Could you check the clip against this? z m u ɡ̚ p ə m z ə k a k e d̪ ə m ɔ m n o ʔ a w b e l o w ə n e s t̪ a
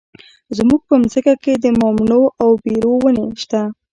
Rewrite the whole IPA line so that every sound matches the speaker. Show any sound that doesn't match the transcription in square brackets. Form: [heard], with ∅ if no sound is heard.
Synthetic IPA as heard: z m u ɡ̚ p ə m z ə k a k e d̪ ə m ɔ m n o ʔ a w b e [ɾ] o w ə n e [ʃ] t̪ a